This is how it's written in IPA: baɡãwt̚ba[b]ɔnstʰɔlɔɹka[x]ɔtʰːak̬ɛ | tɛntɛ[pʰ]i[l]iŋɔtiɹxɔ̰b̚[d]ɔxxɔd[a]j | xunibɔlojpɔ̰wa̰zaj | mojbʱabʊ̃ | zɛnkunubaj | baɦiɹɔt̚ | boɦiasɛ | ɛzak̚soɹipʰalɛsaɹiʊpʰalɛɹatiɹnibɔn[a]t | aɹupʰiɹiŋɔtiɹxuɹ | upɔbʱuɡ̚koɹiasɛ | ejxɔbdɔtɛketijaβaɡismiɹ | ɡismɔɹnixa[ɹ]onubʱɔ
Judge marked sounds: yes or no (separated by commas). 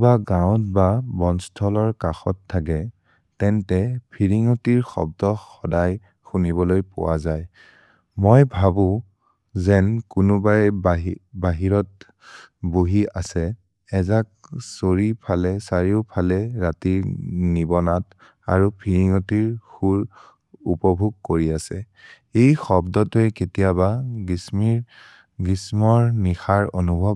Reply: yes, yes, yes, no, yes, yes, yes, yes